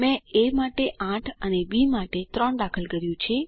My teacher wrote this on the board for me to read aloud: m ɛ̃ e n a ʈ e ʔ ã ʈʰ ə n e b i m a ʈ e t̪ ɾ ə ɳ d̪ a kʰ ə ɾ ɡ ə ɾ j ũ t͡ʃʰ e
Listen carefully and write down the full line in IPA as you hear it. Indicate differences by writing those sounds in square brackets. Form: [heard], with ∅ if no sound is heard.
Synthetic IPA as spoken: m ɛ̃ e [m] a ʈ e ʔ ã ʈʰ ə n e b i m a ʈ e t̪ ɾ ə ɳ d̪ a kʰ ə [l] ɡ ə ɾ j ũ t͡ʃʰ e